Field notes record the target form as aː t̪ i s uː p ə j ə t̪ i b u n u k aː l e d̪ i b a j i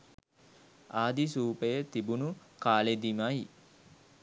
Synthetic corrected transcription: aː d̪ i s uː p ə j ə t̪ i b u n u k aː l e d̪ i m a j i